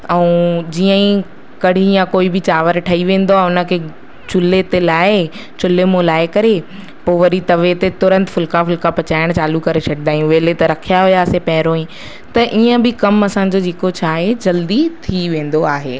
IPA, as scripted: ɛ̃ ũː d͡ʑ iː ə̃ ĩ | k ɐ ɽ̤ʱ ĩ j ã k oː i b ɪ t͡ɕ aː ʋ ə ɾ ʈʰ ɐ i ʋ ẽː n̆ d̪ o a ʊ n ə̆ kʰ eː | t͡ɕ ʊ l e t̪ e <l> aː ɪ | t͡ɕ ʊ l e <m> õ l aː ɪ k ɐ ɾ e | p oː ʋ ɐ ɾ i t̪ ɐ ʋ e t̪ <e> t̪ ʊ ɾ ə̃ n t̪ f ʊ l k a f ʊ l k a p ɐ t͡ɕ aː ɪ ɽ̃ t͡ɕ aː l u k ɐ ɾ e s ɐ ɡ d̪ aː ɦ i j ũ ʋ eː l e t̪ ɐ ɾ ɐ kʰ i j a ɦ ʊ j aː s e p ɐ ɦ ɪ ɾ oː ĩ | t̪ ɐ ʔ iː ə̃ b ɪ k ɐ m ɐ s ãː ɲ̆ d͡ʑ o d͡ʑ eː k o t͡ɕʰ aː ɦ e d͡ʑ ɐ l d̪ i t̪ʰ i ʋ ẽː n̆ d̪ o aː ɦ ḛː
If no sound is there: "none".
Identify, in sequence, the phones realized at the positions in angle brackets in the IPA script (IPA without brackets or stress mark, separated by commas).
l, m, e